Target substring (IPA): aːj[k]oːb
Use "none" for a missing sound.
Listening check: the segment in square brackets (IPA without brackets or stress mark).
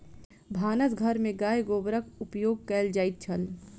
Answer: ɡ